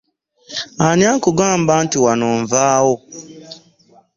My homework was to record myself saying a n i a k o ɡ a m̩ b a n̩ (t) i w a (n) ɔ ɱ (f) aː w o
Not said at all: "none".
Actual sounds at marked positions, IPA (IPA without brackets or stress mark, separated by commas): t, n, v